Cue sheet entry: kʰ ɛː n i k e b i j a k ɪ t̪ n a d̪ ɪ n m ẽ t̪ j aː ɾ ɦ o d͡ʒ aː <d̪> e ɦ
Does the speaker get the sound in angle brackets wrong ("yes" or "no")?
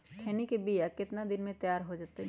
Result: yes